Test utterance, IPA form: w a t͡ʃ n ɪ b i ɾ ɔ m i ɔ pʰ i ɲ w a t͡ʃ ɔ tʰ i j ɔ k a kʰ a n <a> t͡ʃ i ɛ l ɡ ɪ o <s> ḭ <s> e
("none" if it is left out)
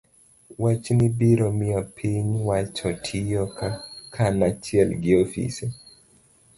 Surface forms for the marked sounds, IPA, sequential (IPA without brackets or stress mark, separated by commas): a, f, s